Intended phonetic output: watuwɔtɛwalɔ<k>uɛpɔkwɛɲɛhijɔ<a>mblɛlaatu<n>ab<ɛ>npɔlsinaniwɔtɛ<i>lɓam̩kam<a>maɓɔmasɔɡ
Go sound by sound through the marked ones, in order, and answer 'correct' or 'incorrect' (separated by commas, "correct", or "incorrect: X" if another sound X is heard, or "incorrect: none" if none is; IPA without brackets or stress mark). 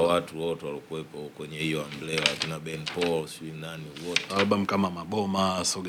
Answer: correct, correct, correct, correct, incorrect: a, correct